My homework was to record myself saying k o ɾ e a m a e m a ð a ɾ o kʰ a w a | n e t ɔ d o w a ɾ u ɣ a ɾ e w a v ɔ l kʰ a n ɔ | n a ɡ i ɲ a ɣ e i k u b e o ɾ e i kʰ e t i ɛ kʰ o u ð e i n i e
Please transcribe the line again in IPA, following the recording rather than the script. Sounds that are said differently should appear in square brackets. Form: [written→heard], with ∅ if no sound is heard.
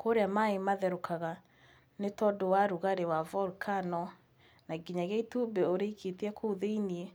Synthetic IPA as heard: k o ɾ e a m a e m a ð [a→ɛ] ɾ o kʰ a [w→ɣ] a | n e t ɔ d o w a ɾ u ɣ a ɾ e w a v ɔ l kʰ a n ɔ | n a ɡ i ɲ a ɣ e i [k→t] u b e o ɾ e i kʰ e t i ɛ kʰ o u ð e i n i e